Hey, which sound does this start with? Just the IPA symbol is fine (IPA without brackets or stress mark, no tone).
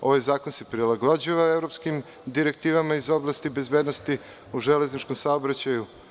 o̞